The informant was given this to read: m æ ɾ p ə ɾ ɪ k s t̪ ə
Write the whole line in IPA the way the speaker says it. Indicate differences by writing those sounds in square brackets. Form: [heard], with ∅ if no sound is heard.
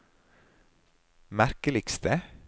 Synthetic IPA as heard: m æ ɾ [k] ə [l] ɪ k s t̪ ə